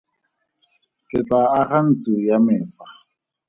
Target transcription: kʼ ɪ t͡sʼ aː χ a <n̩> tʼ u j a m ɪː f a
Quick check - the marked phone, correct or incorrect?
correct